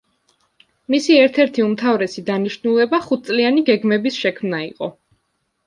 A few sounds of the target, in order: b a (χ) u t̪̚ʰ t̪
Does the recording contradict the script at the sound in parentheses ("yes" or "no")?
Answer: no